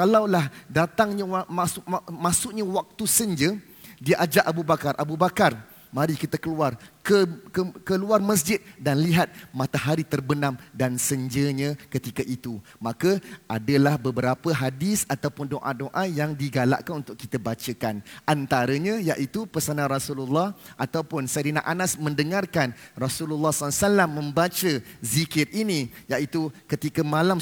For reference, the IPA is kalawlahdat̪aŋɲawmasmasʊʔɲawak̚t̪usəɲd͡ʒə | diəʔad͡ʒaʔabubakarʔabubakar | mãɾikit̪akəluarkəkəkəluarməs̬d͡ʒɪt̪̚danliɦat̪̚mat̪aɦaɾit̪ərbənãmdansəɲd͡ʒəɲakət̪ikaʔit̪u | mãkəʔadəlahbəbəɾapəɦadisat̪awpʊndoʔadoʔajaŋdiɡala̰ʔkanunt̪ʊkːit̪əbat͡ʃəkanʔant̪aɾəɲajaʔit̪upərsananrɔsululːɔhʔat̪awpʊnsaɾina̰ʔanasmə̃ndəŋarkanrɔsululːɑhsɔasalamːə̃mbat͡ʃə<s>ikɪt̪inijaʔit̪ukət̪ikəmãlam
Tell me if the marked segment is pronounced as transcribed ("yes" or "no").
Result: no